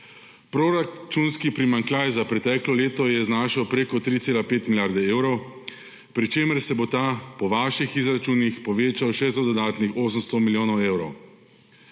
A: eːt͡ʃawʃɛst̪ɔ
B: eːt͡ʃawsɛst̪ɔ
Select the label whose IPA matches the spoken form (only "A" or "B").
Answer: A